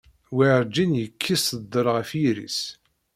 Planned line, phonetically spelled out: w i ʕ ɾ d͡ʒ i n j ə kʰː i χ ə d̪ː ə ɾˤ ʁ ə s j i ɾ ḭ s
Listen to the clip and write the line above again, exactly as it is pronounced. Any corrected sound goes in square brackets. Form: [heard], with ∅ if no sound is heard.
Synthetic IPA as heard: w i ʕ ɾ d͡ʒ i n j ə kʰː i [s] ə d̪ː ə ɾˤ ʁ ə [f] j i ɾ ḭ s